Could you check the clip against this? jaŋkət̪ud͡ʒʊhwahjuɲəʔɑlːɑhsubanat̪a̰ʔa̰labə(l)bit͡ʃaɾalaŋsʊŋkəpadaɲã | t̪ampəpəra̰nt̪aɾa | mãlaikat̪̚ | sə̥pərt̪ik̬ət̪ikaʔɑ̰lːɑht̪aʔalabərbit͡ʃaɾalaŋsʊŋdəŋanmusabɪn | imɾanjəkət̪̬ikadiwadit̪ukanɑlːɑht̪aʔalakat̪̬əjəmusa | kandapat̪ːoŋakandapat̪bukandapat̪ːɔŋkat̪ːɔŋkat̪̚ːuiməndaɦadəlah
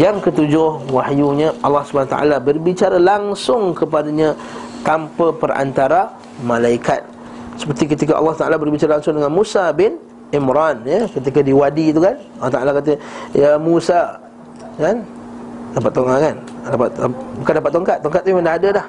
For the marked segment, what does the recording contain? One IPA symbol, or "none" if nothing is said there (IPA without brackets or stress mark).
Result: r